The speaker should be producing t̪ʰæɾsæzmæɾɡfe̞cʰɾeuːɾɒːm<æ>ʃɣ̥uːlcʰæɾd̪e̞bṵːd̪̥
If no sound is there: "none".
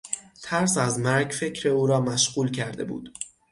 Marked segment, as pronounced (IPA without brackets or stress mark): æ